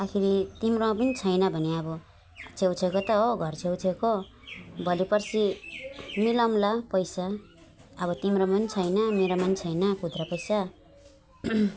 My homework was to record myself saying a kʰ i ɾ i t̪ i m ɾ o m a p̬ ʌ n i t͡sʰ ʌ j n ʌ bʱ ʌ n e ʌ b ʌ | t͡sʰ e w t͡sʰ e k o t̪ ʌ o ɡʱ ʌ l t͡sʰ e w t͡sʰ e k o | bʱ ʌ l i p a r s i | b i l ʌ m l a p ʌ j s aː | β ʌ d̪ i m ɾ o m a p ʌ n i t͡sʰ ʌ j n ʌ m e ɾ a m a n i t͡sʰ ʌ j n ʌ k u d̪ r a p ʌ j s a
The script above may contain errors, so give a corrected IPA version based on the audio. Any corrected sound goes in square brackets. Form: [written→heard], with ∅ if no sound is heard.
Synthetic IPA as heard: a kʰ i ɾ i t̪ i m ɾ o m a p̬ ʌ n i t͡sʰ ʌ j n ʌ bʱ ʌ n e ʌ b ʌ | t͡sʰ e w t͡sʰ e k o t̪ ʌ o ɡʱ ʌ [l→r] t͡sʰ e w t͡sʰ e k o | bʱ ʌ l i p [a→ʌ] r s i | [b→m] i l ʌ m l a p ʌ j s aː | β ʌ [d̪→t̪] i m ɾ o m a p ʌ n i t͡sʰ ʌ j n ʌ m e ɾ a m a n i t͡sʰ ʌ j n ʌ k u d̪ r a p ʌ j s a

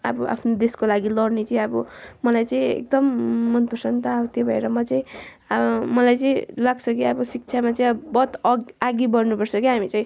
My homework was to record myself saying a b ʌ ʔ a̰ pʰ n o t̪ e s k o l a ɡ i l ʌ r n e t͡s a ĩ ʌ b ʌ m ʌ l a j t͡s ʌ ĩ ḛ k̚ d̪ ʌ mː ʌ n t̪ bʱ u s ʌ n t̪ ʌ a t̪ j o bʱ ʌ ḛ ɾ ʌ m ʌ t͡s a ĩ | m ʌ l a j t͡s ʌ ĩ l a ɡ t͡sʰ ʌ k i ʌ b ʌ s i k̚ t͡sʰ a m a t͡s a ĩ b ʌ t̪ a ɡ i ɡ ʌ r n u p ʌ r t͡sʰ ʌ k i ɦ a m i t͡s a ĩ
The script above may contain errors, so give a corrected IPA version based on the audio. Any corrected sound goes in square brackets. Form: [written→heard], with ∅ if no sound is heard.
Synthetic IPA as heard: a b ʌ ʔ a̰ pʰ n o [t̪→d̪] e s k o l a ɡ i l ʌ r n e t͡s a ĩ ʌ b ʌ m ʌ l a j t͡s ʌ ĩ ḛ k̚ d̪ ʌ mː ʌ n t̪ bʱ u s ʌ n t̪ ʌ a t̪ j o bʱ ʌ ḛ ɾ ʌ m ʌ t͡s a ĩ | m ʌ l a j t͡s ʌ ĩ l a ɡ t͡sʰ ʌ k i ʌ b ʌ s i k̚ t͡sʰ a m a t͡s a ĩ b ʌ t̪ a ɡ i [ɡ→b] ʌ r n u p ʌ r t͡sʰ ʌ k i ɦ a m i t͡s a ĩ

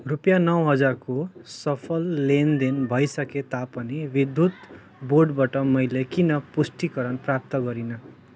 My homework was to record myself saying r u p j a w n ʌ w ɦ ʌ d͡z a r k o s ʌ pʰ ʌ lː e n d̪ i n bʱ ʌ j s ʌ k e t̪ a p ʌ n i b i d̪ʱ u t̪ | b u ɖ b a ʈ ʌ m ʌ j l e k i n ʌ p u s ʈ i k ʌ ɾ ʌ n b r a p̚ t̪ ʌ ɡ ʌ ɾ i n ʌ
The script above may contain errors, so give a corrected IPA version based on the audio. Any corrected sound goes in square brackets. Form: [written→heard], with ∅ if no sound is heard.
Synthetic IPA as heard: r u p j a [w→∅] n ʌ w ɦ ʌ d͡z a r k o s ʌ pʰ ʌ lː e n d̪ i n bʱ ʌ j s ʌ k e t̪ a p ʌ n i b i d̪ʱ u t̪ | b [u→o] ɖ b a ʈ ʌ m ʌ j l e k i n ʌ p u s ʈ i k ʌ ɾ ʌ n [b→p] r a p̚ t̪ ʌ ɡ ʌ ɾ i n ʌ

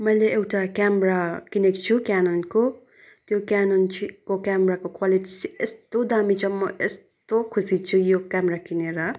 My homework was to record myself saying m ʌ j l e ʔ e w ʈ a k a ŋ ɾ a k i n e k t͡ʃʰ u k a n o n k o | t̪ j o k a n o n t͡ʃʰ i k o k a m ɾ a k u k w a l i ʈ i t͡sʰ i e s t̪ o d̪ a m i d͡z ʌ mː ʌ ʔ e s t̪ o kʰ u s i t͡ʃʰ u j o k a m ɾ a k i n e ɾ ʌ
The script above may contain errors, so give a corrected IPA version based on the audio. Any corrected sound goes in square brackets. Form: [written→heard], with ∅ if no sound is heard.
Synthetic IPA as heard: m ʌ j l e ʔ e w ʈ a k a [ŋ→m] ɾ a k i n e k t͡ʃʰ u k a n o n k o | t̪ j o k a n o n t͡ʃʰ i k o k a m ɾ a k [u→o] k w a l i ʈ i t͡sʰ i e s t̪ o d̪ a m i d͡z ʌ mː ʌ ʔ e s t̪ o kʰ u s i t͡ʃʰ u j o k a m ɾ a k i n e ɾ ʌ

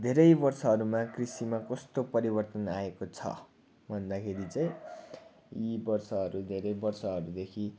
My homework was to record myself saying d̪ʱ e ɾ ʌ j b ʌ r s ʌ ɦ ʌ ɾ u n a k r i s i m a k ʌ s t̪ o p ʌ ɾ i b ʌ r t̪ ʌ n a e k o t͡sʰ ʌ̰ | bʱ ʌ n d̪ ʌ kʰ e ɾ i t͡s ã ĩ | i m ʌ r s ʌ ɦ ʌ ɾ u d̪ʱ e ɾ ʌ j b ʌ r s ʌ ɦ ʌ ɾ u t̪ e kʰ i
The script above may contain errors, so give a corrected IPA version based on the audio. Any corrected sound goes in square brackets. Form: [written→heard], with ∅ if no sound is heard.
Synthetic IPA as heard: d̪ʱ e ɾ ʌ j b ʌ r s ʌ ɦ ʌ ɾ u [n→m] a k r i s i m a k ʌ s t̪ o p ʌ ɾ i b ʌ r t̪ ʌ n a e k o t͡sʰ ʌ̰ | bʱ ʌ n d̪ [ʌ→a] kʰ e ɾ i t͡s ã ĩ | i [m→b] ʌ r s ʌ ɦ ʌ ɾ u d̪ʱ e ɾ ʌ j b ʌ r s ʌ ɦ ʌ ɾ u [t̪→d̪] e kʰ i

